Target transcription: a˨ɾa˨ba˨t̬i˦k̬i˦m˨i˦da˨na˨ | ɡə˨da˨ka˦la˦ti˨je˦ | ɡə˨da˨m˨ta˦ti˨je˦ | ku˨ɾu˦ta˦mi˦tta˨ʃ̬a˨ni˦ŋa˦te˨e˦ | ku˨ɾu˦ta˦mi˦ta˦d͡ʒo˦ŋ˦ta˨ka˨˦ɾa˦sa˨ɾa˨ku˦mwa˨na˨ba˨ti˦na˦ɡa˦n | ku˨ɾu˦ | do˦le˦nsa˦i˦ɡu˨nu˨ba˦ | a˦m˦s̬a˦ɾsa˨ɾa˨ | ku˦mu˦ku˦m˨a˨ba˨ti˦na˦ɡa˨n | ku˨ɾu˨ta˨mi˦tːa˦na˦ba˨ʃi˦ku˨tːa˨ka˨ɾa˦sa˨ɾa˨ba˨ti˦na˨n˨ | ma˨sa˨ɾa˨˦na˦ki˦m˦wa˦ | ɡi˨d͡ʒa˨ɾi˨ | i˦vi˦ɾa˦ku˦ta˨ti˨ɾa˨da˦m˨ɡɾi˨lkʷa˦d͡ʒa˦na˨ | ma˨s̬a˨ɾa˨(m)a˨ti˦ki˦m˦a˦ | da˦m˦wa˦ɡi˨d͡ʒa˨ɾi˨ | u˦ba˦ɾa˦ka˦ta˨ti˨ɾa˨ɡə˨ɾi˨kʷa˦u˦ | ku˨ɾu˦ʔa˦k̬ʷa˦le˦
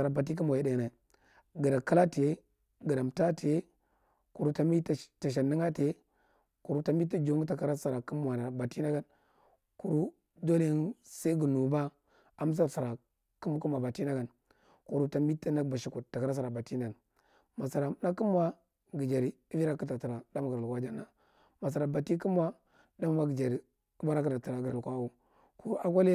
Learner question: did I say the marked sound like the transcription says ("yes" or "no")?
no